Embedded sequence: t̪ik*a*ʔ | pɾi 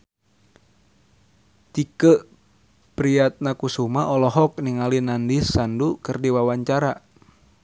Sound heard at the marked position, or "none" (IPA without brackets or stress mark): ə